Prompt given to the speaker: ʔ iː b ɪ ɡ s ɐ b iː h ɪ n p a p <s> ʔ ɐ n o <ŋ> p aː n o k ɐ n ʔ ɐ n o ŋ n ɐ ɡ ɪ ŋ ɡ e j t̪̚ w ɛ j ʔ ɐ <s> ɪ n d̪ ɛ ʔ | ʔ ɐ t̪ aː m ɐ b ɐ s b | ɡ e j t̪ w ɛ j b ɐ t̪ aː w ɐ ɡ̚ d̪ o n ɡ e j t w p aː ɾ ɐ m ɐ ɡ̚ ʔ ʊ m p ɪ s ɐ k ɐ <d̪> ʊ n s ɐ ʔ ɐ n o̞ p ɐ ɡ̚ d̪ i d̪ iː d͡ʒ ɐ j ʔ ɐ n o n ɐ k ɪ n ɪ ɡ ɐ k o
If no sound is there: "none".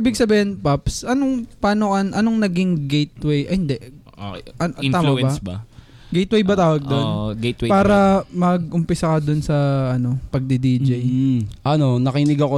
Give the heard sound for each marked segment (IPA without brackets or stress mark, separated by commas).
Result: s, ŋ, h, d̪